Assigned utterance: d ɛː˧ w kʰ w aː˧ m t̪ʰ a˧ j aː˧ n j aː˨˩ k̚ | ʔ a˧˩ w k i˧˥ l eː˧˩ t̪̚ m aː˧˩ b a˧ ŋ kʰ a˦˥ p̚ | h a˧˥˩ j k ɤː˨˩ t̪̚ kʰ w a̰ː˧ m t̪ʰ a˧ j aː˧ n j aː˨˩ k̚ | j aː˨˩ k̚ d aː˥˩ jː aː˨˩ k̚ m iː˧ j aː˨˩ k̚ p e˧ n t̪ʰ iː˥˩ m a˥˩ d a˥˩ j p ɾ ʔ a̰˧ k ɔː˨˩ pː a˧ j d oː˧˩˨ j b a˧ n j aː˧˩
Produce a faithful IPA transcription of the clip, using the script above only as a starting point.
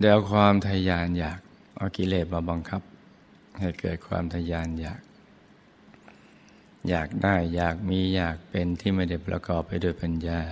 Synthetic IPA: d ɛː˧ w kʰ w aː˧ m t̪ʰ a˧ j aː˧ n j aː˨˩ k̚ | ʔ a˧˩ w k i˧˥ l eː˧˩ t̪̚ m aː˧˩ b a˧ ŋ kʰ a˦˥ p̚ | h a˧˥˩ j k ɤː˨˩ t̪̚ kʰ w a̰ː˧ m t̪ʰ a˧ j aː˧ n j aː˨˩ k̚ | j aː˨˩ k̚ d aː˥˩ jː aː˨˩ k̚ m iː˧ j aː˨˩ k̚ p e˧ n t̪ʰ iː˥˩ m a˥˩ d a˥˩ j p ɾ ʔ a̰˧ k ɔː˨˩ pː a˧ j d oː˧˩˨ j p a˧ n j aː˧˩